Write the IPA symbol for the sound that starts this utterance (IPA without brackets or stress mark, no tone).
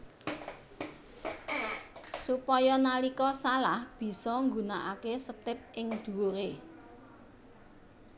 s